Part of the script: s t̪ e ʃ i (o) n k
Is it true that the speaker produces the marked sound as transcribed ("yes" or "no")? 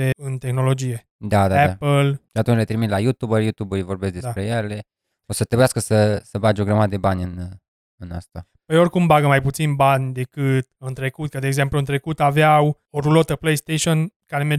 yes